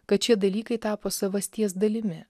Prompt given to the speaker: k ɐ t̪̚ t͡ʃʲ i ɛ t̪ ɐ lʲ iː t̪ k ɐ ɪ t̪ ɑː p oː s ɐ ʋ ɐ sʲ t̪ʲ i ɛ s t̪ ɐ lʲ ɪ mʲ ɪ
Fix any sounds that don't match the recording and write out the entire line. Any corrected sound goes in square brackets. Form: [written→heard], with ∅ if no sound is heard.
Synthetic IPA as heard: k ɐ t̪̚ t͡ʃʲ i ɛ [t̪→d̪] ɐ lʲ iː [t̪→∅] k ɐ ɪ t̪ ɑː p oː s ɐ ʋ ɐ sʲ t̪ʲ i ɛ s [t̪→d̪] ɐ lʲ ɪ mʲ ɪ